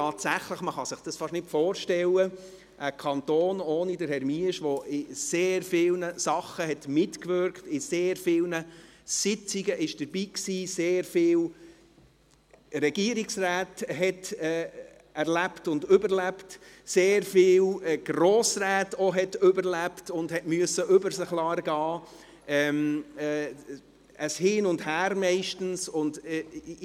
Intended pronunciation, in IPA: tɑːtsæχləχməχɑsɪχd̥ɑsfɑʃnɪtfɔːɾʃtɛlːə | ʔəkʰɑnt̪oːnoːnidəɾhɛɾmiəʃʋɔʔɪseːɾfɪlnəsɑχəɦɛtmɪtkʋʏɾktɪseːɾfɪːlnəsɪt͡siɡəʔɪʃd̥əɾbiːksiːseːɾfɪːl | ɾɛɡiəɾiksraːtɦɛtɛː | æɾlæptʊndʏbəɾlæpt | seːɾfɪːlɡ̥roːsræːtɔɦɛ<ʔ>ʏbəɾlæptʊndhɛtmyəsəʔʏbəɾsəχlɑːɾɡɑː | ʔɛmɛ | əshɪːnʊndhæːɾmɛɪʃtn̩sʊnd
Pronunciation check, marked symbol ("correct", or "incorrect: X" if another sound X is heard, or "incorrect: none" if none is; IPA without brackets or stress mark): incorrect: t